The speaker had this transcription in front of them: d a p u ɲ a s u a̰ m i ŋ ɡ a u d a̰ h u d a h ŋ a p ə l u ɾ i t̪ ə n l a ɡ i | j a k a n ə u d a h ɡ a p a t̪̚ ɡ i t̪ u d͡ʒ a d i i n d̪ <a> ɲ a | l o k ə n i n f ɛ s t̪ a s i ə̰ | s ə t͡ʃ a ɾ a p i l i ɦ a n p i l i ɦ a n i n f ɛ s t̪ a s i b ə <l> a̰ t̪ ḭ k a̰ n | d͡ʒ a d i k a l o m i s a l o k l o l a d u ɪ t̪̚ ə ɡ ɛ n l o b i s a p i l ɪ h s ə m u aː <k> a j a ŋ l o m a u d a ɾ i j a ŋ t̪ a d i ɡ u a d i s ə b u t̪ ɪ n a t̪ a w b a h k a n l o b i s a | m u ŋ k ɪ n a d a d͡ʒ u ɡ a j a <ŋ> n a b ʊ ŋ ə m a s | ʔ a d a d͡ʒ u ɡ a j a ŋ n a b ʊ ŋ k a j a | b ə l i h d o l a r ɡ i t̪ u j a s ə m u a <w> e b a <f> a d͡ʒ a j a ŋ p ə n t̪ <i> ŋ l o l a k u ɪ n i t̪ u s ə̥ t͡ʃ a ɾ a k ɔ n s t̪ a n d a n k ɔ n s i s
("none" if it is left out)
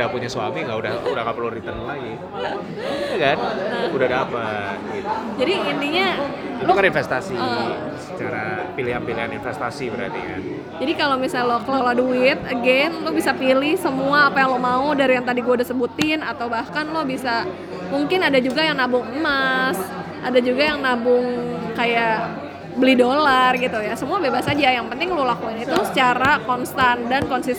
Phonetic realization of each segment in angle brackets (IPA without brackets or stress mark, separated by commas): i, ɾ, p, ŋ, b, s, ɪ